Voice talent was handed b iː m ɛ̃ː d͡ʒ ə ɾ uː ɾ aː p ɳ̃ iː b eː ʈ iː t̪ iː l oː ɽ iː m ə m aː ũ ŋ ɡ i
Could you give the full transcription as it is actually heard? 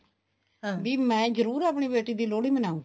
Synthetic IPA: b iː m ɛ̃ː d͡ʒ ə ɾ uː ɾ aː p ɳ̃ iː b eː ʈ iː d̪ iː l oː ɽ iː m ə n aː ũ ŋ ɡ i